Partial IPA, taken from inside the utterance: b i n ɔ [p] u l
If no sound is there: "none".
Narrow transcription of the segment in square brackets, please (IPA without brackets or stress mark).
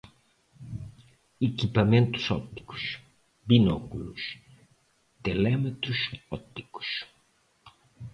k